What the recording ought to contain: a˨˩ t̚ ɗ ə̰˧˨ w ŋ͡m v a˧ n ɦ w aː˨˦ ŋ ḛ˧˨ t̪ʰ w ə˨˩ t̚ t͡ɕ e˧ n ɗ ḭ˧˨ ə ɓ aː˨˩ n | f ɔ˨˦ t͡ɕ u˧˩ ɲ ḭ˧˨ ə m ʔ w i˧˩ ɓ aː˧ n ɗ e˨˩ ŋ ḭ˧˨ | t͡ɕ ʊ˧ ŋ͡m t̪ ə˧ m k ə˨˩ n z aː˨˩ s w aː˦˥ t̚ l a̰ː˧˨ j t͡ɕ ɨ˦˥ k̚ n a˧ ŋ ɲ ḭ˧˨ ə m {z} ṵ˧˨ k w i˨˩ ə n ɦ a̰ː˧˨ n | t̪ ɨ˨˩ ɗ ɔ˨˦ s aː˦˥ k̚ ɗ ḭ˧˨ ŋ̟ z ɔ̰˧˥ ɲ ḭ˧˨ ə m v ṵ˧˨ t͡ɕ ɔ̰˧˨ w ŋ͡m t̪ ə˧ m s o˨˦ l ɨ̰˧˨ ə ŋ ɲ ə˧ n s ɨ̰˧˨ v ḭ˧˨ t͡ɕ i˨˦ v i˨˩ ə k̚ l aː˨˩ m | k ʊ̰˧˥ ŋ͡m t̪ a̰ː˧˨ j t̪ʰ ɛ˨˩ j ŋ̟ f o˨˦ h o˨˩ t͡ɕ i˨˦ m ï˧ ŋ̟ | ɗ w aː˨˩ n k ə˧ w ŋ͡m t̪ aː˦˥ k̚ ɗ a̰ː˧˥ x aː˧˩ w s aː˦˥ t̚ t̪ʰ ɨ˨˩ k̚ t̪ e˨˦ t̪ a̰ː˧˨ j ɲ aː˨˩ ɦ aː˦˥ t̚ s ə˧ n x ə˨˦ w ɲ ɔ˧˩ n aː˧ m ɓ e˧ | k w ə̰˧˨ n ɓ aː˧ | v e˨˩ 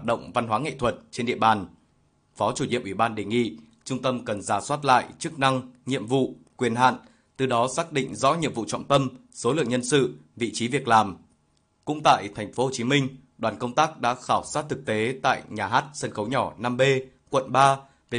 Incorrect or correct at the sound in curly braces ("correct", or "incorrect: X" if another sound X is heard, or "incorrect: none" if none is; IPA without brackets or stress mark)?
incorrect: v